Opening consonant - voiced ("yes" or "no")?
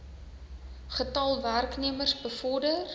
no